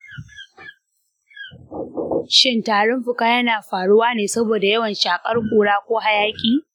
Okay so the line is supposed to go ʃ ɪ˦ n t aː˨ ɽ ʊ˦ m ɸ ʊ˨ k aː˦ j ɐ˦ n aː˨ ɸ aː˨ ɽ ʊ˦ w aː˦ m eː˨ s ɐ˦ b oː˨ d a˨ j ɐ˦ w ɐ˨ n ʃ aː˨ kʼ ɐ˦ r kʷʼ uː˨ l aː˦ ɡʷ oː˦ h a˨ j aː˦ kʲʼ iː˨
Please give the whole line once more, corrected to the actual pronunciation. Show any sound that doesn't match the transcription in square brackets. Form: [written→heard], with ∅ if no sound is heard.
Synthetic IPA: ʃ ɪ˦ n t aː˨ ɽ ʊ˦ m ɸ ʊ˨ k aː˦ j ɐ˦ n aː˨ ɸ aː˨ ɽ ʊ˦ w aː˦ [m→n] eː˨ s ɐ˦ b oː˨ d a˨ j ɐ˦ w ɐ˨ n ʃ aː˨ kʼ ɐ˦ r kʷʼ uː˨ [l→ɽ] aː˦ [ɡʷ→kʷ] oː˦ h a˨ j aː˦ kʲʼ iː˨